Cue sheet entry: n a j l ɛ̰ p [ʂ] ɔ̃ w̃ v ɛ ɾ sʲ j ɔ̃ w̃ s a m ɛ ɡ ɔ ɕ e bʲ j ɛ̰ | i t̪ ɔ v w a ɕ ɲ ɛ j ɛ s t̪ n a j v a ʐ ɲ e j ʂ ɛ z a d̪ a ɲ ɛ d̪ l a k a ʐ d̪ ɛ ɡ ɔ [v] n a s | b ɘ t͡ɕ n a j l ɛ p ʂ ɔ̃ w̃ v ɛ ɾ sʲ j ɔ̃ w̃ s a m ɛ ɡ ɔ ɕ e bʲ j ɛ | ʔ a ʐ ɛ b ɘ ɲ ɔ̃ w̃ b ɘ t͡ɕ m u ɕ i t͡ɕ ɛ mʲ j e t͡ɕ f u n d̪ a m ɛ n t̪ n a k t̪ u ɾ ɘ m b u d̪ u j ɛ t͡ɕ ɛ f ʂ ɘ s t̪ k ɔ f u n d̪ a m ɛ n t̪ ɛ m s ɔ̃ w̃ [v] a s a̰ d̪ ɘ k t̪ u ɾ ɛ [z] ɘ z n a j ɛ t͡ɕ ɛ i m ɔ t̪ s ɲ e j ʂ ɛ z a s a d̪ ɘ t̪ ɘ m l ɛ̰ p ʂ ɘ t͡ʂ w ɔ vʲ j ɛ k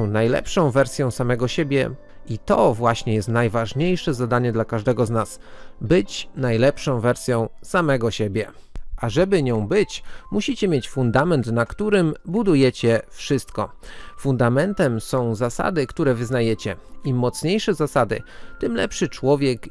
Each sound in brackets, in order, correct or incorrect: correct, incorrect: z, incorrect: z, incorrect: v

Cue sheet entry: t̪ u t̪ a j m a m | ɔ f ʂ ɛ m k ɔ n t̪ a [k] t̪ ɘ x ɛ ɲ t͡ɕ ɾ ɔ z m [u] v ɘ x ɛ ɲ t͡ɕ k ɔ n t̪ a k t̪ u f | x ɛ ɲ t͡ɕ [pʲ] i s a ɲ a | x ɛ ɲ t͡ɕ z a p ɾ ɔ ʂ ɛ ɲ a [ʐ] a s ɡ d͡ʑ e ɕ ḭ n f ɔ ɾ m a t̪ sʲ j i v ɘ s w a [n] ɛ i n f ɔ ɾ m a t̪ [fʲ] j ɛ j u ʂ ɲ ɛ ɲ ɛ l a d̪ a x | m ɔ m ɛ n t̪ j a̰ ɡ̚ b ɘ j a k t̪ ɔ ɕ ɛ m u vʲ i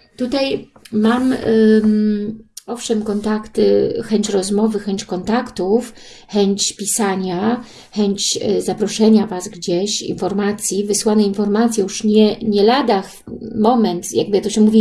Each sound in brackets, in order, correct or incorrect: correct, incorrect: ɔ, correct, incorrect: v, correct, incorrect: sʲ

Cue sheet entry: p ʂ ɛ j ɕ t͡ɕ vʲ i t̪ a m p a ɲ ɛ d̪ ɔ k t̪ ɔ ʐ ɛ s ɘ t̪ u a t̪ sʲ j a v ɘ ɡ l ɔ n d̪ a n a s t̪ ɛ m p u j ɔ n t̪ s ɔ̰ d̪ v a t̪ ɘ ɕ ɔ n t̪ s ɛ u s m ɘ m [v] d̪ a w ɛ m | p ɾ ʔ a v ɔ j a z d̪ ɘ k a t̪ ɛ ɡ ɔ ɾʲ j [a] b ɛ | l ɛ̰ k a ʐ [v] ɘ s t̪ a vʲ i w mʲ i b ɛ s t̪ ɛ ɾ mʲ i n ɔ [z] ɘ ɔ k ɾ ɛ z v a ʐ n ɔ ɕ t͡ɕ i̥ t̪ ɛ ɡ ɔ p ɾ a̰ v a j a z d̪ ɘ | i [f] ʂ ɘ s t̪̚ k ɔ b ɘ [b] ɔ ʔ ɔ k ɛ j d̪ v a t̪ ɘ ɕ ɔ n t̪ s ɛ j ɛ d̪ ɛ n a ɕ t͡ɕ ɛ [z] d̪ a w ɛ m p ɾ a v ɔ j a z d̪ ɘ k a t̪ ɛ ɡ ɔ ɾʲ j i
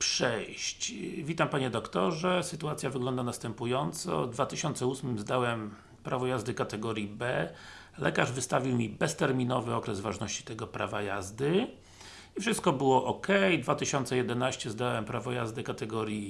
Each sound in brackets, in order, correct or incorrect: incorrect: z, incorrect: i, correct, incorrect: v, correct, incorrect: w, correct

